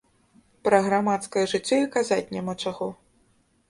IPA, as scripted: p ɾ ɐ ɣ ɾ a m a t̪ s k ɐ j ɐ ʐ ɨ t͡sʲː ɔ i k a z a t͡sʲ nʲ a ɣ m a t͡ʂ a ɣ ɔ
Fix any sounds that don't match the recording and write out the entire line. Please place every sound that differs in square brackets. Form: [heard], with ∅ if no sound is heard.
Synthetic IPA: p ɾ ɐ ɣ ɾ a m a t̪ s k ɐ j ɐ ʐ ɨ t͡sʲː ɔ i k a z a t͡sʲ nʲ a [∅] m a t͡ʂ a ɣ ɔ